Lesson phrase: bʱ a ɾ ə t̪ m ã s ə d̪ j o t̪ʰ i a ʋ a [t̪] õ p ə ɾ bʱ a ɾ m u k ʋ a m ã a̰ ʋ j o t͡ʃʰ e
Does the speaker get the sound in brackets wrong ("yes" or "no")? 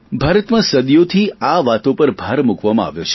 no